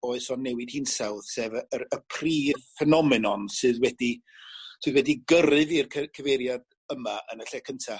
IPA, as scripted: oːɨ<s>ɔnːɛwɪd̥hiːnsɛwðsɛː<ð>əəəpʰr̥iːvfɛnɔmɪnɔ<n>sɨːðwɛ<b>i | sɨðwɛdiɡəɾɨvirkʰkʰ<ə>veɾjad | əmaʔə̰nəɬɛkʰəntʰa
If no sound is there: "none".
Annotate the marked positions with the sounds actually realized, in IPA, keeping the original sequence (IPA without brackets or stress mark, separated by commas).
s, v, n, d, ə